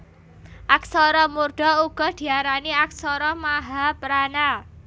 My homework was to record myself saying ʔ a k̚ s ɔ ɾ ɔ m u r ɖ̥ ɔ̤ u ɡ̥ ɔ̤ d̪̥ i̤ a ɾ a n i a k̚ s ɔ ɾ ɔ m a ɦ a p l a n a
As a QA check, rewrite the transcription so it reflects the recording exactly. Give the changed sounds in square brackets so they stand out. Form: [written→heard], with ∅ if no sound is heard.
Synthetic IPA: ʔ a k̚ s ɔ ɾ ɔ m u r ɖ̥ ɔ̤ u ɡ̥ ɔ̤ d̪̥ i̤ a ɾ a n i a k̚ s ɔ ɾ ɔ m a ɦ a p [l→ɾ] a n a